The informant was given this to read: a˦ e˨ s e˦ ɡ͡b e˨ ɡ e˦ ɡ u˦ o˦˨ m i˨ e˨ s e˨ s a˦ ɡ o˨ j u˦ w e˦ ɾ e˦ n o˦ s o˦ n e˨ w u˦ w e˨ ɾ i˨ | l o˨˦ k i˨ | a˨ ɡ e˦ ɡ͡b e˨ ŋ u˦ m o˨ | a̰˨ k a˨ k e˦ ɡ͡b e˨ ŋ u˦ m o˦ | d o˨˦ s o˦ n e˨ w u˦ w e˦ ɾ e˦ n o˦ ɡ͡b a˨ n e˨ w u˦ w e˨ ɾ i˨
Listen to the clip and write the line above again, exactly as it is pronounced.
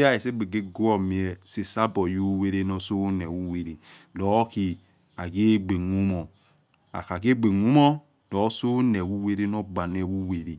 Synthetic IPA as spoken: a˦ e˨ s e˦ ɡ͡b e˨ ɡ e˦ ɡ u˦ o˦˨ m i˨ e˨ s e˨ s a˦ b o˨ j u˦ w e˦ ɾ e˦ n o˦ s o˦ n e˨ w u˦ w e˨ ɾ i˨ | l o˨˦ k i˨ | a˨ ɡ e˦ ɡ͡b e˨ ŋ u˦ m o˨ | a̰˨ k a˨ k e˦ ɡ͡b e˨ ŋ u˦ m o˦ | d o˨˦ s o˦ n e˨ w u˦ w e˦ ɾ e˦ n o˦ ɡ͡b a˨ n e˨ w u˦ w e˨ ɾ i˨